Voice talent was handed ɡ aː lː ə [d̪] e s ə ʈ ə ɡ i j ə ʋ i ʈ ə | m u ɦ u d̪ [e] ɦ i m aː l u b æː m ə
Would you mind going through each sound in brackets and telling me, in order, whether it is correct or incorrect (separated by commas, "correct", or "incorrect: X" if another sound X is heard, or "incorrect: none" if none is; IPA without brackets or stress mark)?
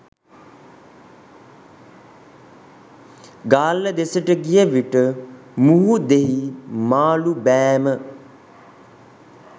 correct, correct